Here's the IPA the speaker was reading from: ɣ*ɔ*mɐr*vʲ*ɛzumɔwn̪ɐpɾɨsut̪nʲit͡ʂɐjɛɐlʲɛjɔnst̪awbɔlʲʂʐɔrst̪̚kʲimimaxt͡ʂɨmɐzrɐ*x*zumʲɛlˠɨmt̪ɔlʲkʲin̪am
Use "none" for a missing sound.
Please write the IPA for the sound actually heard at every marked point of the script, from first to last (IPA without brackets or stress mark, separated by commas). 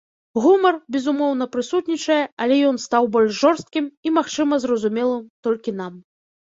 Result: u, bʲ, none